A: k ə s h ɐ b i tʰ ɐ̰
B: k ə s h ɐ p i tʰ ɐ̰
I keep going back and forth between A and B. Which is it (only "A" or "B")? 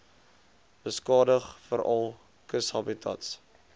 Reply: A